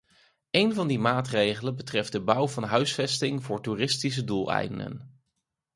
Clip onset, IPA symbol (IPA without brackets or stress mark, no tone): e